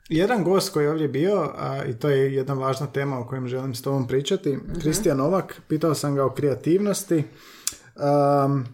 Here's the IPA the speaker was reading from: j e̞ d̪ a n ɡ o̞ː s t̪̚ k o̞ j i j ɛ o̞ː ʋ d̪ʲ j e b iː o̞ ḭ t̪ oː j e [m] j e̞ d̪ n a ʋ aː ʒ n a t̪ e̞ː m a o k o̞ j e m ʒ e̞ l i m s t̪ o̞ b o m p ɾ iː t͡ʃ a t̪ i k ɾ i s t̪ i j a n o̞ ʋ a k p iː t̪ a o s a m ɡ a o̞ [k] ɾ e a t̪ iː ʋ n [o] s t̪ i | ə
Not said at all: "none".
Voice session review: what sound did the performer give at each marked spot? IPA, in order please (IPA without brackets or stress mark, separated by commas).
none, k, o